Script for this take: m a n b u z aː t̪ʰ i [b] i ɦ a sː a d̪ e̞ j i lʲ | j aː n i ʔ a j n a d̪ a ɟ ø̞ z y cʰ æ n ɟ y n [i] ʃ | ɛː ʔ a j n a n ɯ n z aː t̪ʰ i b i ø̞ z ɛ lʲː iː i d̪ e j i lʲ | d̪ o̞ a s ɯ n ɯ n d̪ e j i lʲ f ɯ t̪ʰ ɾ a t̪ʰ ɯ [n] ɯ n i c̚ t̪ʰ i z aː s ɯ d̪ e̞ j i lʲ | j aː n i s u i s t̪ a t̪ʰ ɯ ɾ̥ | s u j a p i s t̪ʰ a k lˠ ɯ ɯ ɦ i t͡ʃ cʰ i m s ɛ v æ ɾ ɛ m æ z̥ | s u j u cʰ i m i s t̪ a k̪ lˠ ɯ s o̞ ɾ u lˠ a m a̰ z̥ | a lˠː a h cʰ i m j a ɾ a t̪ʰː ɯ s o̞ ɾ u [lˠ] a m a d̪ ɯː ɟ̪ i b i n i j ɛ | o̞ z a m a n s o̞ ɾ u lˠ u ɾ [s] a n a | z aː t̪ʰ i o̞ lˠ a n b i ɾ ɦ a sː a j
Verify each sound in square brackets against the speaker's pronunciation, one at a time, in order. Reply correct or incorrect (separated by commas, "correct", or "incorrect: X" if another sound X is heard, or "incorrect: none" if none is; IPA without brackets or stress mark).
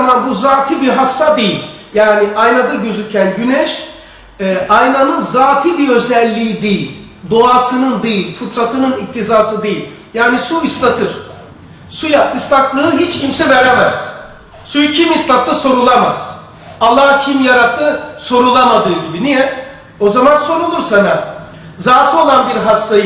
correct, incorrect: ɛ, correct, correct, correct